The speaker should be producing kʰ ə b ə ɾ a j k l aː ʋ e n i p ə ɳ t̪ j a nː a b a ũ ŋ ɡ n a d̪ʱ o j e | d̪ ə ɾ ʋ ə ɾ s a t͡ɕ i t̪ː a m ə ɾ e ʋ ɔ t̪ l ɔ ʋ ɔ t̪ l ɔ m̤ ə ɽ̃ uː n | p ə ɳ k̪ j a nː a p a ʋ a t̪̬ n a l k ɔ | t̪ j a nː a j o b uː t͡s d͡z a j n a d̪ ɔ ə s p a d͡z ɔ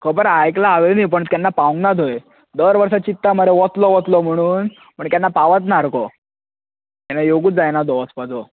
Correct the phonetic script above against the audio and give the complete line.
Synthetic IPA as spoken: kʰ ə b ə ɾ a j k l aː ʋ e n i p ə ɳ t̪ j a nː a p a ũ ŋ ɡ n a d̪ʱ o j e | d̪ ə ɾ ʋ ə ɾ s a t͡ɕ i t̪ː a m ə ɾ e ʋ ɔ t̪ l ɔ ʋ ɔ t̪ l ɔ m̤ ə ɽ̃ uː n | p ə ɳ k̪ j a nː a p a ʋ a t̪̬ n a ɾ k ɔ | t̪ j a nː a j o ɡ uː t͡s d͡z a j n a d̪ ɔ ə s p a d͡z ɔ